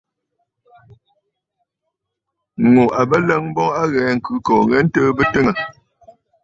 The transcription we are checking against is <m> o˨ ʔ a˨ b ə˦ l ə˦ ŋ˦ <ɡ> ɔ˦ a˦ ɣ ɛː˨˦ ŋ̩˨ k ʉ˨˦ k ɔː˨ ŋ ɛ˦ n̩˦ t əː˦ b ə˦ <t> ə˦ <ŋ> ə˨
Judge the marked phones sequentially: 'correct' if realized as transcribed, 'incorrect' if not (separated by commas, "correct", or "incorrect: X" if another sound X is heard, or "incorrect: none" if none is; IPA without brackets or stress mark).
incorrect: ŋ, incorrect: b, correct, correct